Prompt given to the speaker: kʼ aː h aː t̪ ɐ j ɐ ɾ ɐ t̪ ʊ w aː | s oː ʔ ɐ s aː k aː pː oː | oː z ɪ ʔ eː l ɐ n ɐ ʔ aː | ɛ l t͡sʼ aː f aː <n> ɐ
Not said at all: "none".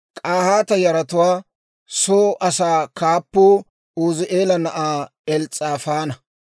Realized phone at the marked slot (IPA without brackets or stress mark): n